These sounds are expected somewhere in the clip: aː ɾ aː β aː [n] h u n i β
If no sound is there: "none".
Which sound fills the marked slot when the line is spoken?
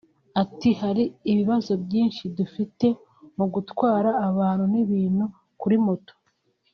n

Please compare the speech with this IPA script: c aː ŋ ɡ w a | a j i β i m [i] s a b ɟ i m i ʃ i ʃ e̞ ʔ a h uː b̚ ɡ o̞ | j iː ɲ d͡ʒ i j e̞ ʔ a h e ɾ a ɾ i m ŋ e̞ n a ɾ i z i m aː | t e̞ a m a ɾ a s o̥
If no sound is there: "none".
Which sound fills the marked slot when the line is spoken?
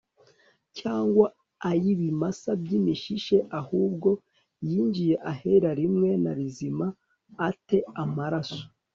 a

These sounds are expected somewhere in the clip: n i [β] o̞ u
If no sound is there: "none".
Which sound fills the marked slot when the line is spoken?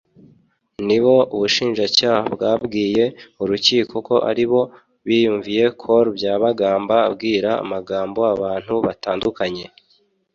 β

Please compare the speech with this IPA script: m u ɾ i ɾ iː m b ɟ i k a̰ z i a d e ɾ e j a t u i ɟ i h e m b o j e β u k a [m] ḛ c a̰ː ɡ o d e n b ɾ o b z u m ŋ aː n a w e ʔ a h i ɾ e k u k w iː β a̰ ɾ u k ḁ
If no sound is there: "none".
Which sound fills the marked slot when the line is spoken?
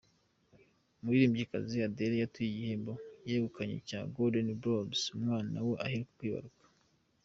ɲ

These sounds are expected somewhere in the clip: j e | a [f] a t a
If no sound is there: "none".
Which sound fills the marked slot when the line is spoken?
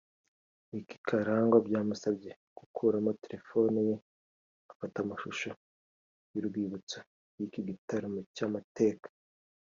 f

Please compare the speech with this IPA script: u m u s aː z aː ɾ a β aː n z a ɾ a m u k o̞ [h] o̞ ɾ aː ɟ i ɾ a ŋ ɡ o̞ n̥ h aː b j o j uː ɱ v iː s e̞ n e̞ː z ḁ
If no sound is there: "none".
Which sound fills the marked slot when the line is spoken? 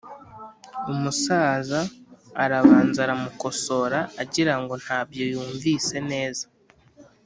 s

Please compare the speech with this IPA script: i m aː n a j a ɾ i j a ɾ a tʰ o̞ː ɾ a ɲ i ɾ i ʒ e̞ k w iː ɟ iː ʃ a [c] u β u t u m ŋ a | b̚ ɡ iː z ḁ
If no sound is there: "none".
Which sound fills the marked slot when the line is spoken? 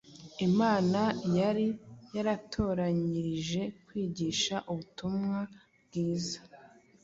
ʔ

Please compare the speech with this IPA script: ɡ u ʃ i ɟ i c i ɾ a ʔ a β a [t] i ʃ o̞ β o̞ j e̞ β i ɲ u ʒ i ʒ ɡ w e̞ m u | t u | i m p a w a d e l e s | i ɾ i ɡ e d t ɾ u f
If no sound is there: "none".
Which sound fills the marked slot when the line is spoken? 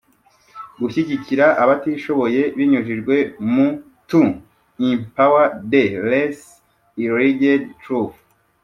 t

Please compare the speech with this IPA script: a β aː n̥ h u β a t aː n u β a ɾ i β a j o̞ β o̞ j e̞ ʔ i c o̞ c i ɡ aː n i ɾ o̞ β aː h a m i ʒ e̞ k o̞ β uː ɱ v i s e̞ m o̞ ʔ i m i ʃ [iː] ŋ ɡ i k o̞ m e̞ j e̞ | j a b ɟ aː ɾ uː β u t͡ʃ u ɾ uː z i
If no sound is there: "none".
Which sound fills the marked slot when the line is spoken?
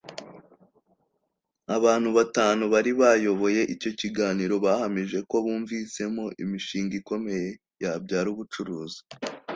iː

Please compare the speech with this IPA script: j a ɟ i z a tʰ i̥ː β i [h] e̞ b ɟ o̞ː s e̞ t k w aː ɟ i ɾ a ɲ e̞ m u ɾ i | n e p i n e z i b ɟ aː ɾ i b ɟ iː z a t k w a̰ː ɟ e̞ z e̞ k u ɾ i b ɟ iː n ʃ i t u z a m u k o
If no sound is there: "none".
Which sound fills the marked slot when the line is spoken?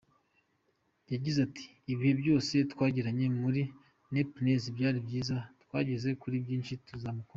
h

